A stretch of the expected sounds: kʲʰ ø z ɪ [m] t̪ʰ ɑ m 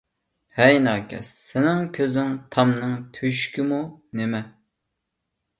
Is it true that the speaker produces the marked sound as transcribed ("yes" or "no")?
no